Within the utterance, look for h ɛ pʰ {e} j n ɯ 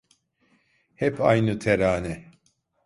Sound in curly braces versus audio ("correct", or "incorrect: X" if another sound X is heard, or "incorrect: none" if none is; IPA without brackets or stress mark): incorrect: a